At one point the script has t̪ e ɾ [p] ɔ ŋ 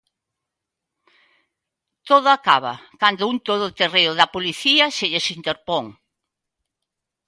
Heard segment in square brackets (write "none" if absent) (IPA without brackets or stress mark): p